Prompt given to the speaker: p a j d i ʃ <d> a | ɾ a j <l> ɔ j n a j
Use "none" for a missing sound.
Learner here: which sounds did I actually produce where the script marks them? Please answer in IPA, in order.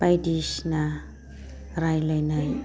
n, l

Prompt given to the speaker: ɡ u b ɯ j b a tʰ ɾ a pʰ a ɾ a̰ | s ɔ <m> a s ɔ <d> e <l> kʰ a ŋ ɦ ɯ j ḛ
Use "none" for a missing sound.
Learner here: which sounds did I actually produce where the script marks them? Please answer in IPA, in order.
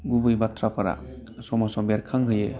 m, b, ɾ

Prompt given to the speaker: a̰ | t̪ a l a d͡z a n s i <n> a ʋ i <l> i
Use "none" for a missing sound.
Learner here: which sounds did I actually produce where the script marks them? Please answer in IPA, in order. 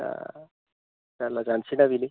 n, l

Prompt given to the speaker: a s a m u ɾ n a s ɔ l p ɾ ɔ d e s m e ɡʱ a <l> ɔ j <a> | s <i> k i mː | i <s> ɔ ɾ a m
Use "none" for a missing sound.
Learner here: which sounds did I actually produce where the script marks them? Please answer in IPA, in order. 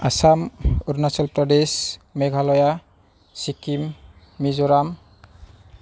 l, a, i, z

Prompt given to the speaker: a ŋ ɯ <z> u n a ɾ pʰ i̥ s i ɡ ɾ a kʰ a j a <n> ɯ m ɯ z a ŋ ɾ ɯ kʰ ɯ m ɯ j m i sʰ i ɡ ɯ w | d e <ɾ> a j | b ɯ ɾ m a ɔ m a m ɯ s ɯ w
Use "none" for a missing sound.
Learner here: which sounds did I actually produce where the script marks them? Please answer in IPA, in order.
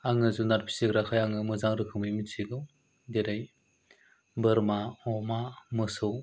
z, ŋ, ɾ

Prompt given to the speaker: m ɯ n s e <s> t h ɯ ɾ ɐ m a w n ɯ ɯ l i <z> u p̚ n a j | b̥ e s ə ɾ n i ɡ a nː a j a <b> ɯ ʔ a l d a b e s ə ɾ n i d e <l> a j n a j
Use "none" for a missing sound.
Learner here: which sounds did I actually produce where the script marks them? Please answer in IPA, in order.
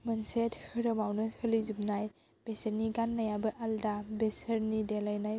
none, z, b, l

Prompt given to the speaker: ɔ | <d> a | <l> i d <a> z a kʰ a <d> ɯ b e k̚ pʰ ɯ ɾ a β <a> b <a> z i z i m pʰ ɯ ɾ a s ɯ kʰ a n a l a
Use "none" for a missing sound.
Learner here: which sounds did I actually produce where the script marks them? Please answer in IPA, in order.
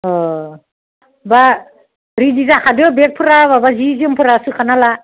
b, ɾ, i, d, a, a

